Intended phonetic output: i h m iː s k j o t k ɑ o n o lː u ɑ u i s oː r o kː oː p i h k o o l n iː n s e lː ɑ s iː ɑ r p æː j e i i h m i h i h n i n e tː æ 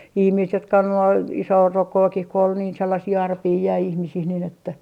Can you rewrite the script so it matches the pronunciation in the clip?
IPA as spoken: i h m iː s t j o t k ɑ o n o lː u ɑ u i s oː r o kː oː k i h k o o l n iː n s e lː ɑ s iː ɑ r p iː j æ i i h m i s i h n i n e tː æ